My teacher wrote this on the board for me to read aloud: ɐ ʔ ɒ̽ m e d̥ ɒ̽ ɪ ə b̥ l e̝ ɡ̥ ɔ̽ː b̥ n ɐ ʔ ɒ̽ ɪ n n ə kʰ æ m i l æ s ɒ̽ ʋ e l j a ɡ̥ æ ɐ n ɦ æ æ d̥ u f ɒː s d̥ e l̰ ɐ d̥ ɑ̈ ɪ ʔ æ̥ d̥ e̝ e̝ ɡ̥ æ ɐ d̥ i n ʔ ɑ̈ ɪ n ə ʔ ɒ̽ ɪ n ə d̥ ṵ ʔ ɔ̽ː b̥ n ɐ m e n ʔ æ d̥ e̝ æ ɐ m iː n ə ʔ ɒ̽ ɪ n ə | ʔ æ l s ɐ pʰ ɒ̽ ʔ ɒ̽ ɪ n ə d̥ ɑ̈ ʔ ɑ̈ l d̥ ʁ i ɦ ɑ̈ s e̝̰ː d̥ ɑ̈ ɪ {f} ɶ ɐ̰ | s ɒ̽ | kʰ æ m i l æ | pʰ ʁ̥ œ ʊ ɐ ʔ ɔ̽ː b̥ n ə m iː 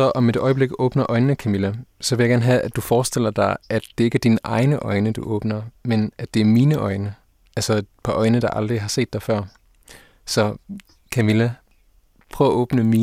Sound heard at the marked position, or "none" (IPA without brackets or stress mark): f